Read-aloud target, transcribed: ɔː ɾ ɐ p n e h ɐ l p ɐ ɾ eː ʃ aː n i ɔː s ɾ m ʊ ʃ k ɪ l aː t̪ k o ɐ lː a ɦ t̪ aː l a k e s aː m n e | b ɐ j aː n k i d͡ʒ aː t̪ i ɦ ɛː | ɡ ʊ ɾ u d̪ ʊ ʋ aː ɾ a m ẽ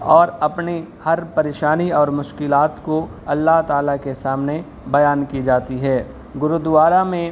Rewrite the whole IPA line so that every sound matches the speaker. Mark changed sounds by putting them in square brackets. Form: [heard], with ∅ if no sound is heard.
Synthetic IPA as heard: ɔː ɾ ɐ p n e h ɐ [ɾ] p ɐ ɾ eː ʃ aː n i ɔː [∅] ɾ m ʊ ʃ k ɪ l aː t̪ k o ɐ lː a ɦ t̪ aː l a k e s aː m n e | b ɐ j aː n k i d͡ʒ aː t̪ i ɦ ɛː | ɡ ʊ ɾ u d̪ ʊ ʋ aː ɾ a m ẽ